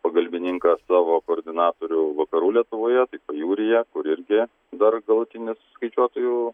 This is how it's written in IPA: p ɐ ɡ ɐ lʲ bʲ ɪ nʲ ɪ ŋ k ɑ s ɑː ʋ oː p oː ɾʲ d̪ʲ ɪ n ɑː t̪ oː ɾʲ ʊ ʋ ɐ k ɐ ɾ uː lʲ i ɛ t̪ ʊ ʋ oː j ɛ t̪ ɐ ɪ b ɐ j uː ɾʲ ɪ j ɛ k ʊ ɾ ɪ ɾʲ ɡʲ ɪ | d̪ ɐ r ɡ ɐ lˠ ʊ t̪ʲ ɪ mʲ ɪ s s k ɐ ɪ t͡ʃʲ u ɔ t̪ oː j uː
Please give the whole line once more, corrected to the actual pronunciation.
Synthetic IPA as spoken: p ɐ ɡ ɐ lʲ bʲ ɪ nʲ ɪ ŋ k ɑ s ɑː ʋ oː k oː ɾʲ d̪ʲ ɪ n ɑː t̪ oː ɾʲ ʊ ʋ ɐ k ɐ ɾ uː lʲ i ɛ t̪ ʊ ʋ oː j ɛ t̪ ɐ ɪ p ɐ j uː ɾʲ ɪ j ɛ k ʊ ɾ ɪ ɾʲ ɡʲ ɪ | d̪ ɐ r ɡ ɐ lˠ ʊ t̪ʲ ɪ nʲ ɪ s s k ɐ ɪ t͡ʃʲ u ɔ t̪ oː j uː

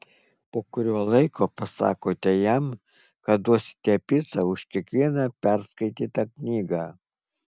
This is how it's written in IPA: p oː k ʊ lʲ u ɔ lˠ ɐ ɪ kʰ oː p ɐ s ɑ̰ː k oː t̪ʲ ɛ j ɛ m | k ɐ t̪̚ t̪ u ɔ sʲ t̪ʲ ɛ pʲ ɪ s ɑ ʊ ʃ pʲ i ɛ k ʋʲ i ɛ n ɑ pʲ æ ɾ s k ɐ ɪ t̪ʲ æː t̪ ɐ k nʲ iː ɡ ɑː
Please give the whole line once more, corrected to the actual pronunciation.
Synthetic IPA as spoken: p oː k ʊ ɾʲ u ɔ lˠ ɐ ɪ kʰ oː p ɐ s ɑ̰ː k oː t̪ʲ ɛ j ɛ m | k ɐ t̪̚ d̪ u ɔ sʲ t̪ʲ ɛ pʲ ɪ s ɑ ʊ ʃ kʲ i ɛ k ʋʲ i ɛ n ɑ pʲ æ ɾ s k ɐ ɪ t̪ʲ iː t̪ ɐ k nʲ iː ɡ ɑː

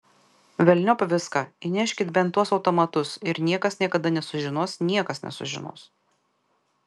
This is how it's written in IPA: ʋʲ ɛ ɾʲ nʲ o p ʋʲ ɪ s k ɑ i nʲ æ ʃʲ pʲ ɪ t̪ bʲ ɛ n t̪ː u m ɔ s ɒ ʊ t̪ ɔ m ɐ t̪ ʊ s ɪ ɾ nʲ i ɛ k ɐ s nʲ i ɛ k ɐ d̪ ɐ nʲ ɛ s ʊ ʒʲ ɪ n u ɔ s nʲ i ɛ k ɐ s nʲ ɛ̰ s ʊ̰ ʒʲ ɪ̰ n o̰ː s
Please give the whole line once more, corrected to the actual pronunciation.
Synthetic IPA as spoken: ʋʲ ɛ lʲ nʲ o p ʋʲ ɪ s k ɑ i nʲ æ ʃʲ kʲ ɪ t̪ bʲ ɛ n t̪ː u ɔ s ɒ ʊ t̪ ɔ m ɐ t̪ ʊ s ɪ ɾ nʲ i ɛ k ɐ s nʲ i ɛ k ɐ d̪ ɐ nʲ ɛ s ʊ ʒʲ ɪ n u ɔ s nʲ i ɛ k ɐ s nʲ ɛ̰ s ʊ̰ ʒʲ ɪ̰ n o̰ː s

